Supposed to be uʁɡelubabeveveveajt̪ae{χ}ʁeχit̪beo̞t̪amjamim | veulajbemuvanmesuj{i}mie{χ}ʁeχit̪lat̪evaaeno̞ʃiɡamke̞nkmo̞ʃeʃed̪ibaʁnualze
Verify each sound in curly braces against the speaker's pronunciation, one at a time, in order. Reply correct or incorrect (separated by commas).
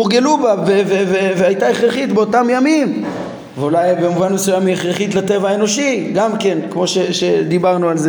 correct, incorrect, correct